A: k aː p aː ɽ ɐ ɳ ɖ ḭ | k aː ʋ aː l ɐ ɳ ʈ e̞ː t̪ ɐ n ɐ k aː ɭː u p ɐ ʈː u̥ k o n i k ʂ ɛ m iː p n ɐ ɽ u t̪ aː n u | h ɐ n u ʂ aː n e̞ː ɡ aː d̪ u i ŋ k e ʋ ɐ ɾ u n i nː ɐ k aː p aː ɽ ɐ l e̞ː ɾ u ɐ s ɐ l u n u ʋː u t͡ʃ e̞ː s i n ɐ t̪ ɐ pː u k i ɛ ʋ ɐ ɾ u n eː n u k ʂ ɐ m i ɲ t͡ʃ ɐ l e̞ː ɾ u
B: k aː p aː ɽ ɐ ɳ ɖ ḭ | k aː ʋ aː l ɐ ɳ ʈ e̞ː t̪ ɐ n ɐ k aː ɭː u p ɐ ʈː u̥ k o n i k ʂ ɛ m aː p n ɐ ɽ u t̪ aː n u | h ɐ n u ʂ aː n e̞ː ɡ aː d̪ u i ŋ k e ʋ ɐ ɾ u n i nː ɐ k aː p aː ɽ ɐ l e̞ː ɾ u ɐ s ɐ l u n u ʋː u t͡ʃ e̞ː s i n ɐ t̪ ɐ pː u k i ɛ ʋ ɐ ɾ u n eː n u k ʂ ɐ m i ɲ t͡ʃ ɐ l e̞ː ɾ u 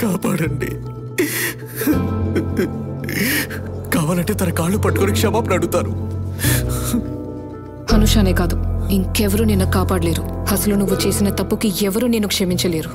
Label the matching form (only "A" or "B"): B